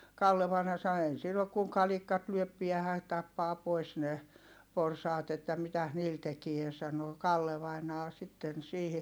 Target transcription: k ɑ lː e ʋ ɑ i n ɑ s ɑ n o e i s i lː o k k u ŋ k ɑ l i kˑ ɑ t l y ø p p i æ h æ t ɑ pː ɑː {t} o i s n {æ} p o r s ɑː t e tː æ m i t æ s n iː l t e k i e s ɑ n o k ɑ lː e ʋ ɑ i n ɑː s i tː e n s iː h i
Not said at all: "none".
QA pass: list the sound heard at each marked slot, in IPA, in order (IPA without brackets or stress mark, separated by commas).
p, e